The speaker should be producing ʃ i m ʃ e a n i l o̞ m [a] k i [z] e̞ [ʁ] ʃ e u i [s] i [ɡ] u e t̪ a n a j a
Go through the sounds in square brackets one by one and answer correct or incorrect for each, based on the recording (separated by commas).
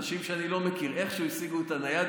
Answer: incorrect, incorrect, incorrect, correct, correct